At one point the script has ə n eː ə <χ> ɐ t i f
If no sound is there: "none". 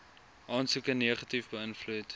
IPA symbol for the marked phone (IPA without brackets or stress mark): χ